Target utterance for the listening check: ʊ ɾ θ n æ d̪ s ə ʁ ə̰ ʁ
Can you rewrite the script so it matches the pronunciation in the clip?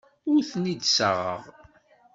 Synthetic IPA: ʊ ɾ θ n i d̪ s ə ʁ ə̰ ʁ